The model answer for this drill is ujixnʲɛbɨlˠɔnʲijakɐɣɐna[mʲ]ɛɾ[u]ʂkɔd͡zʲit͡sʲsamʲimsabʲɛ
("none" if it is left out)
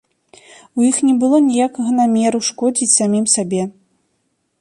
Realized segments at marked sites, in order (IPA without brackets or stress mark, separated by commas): mʲ, u